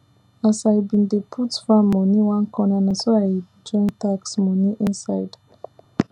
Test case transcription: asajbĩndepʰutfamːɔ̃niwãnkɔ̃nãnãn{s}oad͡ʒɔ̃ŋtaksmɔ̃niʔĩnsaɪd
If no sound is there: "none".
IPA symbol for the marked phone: s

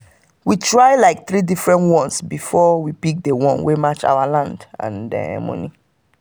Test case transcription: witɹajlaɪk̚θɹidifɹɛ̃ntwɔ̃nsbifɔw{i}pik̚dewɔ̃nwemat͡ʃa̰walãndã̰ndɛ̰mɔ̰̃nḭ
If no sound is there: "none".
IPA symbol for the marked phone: i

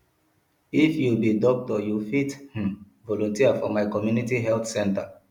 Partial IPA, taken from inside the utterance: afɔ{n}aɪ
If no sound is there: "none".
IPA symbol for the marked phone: m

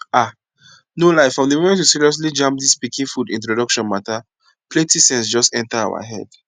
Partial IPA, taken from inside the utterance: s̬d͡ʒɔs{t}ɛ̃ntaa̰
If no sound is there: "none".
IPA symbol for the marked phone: t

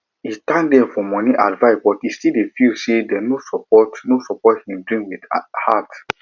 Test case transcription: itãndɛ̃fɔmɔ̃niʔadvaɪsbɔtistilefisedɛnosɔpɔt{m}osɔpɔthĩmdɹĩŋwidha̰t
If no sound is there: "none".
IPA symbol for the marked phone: n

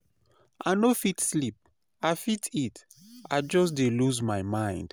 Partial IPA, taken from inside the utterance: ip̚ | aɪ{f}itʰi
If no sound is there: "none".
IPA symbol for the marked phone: f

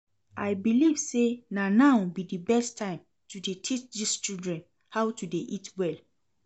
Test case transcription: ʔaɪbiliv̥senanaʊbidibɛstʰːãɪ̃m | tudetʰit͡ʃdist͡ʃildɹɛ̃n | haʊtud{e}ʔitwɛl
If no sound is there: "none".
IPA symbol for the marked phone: e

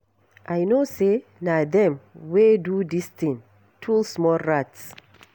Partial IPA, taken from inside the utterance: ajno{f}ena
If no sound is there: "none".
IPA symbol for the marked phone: s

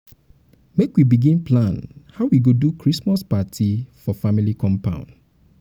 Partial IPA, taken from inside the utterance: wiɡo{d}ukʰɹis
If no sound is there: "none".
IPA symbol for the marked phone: d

